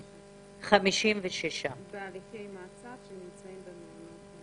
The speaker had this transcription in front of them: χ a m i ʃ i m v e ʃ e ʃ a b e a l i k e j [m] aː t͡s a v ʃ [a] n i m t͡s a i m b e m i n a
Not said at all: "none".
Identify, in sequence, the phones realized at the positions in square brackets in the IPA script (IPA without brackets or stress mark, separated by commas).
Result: m, e